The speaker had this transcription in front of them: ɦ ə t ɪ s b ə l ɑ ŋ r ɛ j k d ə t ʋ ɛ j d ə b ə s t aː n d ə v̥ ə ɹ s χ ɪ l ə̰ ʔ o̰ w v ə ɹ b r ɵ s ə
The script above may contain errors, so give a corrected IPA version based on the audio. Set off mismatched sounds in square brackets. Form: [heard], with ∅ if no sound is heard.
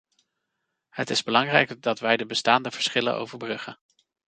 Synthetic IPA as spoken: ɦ ə t ɪ [z] b ə l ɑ ŋ r ɛ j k d [ɑ] t ʋ ɛ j d ə b ə s t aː n d ə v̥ ə ɹ s χ ɪ l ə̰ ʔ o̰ w v ə ɹ b r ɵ [χ] ə